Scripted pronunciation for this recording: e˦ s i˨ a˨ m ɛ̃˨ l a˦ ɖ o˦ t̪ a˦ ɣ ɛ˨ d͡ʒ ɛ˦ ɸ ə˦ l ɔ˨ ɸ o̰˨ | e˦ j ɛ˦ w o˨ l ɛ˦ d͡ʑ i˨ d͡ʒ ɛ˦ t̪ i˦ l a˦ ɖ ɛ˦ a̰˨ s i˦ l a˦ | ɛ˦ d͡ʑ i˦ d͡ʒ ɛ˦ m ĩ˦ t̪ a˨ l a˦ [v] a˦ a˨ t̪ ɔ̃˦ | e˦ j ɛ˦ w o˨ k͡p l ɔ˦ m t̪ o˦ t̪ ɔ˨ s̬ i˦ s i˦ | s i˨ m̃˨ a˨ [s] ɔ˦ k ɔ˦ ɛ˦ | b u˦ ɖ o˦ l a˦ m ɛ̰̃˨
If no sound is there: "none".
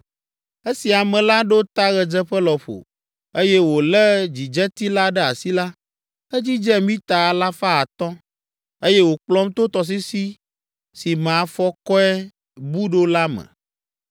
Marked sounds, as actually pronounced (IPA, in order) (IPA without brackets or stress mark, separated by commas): f, f